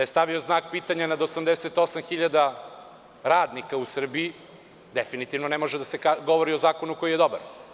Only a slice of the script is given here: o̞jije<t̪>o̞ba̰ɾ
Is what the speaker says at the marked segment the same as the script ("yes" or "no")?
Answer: no